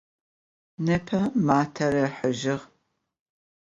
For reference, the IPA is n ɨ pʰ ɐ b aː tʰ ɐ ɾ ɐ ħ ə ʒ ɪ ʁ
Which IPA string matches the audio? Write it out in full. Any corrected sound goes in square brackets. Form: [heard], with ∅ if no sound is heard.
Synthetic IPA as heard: n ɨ pʰ ɐ [m] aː tʰ ɐ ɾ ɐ ħ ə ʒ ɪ ʁ